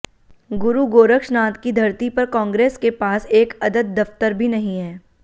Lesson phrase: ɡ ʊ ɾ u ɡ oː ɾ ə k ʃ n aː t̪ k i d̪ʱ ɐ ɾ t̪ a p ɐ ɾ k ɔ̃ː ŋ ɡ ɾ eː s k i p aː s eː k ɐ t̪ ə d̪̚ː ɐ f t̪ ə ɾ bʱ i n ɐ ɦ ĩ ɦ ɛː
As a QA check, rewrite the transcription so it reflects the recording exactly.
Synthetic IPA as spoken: ɡ ʊ ɾ u ɡ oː ɾ ə k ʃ n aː t̪ k i d̪ʱ ɐ ɾ t̪ i p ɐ ɾ k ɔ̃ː ŋ ɡ ɾ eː s k e p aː s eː k ɐ d̪ ə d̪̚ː ɐ f t̪ ə ɾ bʱ i n ɐ ɦ ĩ ɦ ɛː